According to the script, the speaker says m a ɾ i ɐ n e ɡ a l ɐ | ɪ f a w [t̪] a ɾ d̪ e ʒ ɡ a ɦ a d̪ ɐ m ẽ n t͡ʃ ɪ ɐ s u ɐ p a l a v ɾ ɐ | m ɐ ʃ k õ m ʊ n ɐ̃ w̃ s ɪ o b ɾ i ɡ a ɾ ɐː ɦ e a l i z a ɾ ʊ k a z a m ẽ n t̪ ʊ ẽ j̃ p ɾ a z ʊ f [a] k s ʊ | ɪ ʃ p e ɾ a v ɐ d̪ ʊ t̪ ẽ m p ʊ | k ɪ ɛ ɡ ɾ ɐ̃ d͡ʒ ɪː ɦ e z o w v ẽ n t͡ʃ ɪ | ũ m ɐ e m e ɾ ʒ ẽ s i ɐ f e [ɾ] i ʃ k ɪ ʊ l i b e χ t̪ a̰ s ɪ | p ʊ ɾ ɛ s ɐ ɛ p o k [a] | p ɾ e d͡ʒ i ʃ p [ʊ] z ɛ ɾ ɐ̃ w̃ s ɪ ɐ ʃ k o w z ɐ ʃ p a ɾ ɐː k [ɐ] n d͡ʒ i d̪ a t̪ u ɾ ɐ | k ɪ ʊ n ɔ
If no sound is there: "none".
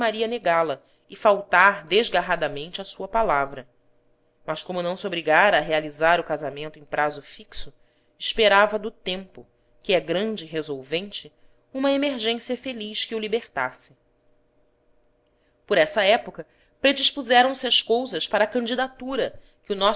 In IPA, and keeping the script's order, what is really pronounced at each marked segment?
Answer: t̪, i, l, ɐ, u, ɐ̃

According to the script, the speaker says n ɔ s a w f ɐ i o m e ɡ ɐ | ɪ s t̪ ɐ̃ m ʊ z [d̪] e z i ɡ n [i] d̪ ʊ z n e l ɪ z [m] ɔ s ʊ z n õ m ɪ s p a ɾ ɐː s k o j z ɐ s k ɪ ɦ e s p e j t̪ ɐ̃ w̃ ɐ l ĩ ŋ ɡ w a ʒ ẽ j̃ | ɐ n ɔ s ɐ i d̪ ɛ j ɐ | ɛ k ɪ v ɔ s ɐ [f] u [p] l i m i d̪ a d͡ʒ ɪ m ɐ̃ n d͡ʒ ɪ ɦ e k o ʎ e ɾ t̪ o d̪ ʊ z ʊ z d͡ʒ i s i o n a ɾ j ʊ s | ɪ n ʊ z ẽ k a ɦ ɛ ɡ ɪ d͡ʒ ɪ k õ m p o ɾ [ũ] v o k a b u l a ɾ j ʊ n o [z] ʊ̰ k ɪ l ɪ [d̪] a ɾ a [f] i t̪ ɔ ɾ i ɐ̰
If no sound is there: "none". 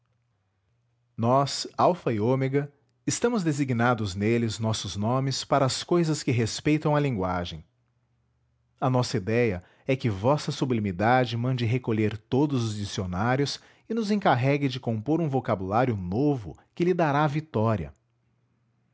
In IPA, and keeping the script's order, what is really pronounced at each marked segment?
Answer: d̪, a, n, s, b, ũ, v, d̪, v

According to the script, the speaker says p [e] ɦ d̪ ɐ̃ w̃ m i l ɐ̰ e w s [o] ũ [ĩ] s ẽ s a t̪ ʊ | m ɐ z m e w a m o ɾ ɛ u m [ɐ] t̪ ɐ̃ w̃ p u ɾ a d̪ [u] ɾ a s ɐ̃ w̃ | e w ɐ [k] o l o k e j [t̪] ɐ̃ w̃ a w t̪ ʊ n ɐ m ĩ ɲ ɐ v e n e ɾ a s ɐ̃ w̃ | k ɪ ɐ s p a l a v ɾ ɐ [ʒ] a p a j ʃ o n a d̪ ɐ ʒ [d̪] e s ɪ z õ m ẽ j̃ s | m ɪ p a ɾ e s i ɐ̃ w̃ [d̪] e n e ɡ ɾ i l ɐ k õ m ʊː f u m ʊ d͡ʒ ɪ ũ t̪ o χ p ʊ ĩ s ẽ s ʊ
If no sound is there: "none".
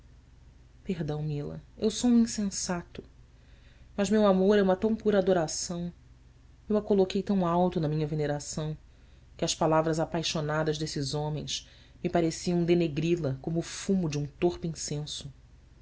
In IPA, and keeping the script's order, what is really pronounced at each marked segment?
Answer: e, o, ĩ, ɐ, o, k, t̪, z, d̪, d̪

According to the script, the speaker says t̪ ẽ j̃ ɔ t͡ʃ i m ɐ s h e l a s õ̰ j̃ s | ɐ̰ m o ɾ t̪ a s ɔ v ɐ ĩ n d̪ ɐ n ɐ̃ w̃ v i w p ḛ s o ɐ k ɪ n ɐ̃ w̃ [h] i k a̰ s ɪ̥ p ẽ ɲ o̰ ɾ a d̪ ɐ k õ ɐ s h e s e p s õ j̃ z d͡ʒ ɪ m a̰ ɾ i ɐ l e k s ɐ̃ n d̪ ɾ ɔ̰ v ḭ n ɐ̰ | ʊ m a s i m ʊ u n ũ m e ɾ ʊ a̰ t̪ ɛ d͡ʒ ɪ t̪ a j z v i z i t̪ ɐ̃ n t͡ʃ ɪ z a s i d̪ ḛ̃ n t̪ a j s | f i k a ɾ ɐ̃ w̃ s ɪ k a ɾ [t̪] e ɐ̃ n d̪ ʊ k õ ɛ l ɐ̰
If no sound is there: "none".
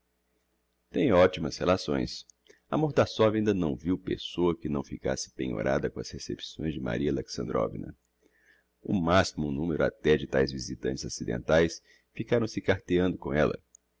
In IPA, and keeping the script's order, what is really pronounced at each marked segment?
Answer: f, t̪

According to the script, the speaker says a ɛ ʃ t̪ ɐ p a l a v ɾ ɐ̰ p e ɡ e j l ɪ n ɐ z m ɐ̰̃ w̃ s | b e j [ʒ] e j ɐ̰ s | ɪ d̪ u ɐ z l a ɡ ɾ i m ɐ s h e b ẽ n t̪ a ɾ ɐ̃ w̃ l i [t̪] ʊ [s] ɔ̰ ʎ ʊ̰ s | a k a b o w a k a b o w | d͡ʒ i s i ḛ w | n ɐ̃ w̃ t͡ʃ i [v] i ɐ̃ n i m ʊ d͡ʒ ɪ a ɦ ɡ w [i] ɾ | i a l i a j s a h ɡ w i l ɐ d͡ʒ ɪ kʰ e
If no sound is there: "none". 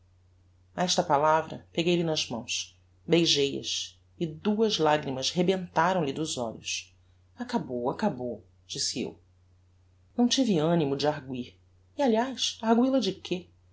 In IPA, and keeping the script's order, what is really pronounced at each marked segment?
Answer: ʒ, d̪, z, v, i

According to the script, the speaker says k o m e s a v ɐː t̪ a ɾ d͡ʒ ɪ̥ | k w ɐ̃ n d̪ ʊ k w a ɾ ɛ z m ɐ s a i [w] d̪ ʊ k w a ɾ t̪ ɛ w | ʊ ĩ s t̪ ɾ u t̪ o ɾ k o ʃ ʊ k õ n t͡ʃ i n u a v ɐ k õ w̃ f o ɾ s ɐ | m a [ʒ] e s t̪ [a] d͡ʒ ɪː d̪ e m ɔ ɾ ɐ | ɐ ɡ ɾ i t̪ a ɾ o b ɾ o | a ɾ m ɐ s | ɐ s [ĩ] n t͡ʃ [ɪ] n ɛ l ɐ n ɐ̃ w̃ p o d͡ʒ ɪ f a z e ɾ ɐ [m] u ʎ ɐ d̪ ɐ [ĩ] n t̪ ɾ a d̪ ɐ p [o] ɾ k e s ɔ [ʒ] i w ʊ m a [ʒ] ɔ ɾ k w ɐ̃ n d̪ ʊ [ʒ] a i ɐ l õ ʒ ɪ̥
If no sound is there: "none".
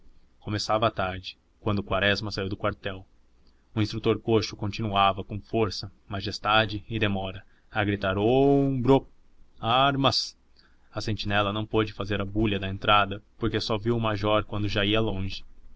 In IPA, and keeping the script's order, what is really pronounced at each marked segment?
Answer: w, ʒ, a, ẽ, i, b, ẽ, o, v, ʒ, ʒ

